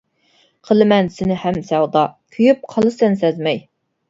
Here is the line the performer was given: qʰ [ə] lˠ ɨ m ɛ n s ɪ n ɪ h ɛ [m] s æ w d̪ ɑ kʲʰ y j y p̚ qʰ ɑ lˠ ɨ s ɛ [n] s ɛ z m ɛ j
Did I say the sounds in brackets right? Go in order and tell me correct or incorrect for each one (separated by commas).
correct, correct, correct